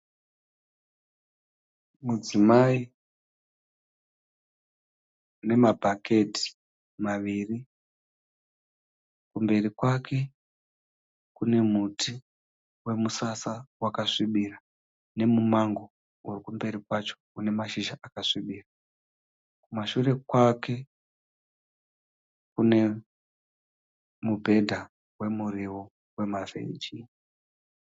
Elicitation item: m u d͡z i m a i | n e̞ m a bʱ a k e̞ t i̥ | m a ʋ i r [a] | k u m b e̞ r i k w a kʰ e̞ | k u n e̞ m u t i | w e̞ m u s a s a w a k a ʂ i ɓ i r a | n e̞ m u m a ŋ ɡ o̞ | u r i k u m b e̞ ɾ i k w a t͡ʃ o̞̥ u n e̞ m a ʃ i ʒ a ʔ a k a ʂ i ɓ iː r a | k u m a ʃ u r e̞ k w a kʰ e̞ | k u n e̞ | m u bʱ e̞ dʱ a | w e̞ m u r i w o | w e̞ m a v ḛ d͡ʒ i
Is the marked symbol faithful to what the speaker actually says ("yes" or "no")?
no